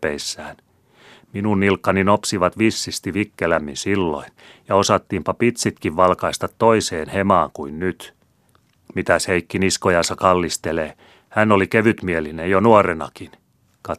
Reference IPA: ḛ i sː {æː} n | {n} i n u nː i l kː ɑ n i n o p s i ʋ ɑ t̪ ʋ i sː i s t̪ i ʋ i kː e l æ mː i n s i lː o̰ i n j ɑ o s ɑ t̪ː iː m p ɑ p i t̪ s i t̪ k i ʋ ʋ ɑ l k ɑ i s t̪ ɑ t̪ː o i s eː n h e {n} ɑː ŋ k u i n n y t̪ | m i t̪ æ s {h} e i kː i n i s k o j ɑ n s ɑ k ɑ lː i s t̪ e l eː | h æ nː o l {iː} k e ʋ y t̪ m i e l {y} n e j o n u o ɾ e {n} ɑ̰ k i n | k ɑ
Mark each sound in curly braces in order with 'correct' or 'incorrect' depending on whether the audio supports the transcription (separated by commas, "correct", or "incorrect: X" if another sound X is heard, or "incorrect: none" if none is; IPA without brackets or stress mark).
correct, incorrect: m, incorrect: m, correct, incorrect: i, incorrect: i, correct